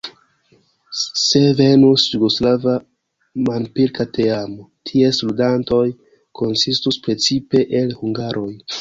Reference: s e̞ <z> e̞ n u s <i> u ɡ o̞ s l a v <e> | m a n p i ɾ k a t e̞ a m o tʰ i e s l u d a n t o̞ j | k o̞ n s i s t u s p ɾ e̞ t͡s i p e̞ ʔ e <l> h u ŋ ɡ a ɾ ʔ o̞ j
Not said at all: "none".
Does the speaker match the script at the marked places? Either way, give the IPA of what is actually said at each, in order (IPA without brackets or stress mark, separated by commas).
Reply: v, j, a, l